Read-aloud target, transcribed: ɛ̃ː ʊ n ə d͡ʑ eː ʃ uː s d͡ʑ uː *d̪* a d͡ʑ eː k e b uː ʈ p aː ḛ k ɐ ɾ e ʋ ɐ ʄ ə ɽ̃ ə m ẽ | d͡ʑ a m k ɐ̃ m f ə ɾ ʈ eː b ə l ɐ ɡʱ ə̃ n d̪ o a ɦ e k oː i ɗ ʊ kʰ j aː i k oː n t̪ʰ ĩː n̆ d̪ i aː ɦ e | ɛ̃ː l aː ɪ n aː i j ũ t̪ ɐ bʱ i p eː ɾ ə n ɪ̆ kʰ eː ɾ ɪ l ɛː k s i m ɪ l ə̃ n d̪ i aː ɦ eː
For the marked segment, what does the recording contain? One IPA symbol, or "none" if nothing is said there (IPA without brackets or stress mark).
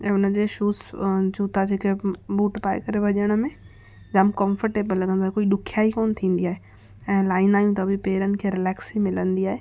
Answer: t̪